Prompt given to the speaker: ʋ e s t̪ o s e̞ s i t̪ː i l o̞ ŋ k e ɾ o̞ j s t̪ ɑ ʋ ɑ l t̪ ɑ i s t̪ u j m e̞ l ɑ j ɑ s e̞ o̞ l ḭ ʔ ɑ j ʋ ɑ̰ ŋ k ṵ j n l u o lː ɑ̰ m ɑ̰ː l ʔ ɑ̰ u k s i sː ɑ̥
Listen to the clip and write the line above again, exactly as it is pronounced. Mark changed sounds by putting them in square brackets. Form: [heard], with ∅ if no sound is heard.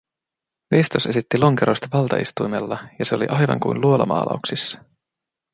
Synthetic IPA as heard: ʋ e s t̪ o s e̞ s i t̪ː i l o̞ ŋ k e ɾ o̞ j s t̪ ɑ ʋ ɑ l t̪ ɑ i s t̪ u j m e̞ [lː] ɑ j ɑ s e̞ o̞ l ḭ ʔ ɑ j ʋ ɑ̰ ŋ k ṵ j n l u o [l] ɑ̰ m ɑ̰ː l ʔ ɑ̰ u k s i sː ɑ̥